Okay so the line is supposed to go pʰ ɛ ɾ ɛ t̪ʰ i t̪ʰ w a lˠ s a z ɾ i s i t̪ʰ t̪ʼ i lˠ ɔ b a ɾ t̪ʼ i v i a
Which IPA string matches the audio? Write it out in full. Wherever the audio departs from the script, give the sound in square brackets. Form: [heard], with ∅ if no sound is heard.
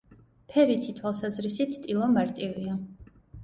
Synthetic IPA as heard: pʰ ɛ ɾ [i] t̪ʰ i t̪ʰ w a lˠ s a z ɾ i s i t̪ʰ t̪ʼ i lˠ ɔ [m] a ɾ t̪ʼ i v i a